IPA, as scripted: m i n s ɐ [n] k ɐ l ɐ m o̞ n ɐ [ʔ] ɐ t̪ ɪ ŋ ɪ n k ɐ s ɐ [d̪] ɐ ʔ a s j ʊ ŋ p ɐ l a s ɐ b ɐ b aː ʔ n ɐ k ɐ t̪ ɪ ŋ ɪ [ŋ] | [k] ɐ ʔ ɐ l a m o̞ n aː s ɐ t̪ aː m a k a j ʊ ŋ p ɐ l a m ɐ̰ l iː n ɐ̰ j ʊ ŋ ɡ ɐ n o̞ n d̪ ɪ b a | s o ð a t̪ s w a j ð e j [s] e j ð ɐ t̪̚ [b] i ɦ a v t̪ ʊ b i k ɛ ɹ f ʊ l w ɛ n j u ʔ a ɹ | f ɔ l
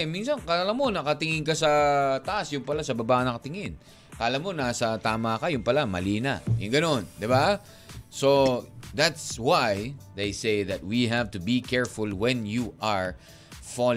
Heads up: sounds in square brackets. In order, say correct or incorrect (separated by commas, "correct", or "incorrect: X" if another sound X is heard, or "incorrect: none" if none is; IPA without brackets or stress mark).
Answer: correct, incorrect: k, incorrect: t̪, incorrect: n, correct, correct, incorrect: w